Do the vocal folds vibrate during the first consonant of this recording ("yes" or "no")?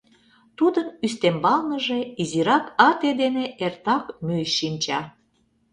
no